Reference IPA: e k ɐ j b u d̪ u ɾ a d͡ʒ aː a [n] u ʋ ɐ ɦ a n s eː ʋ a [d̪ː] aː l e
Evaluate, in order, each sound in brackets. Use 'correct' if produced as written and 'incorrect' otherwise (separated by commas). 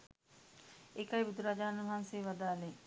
correct, incorrect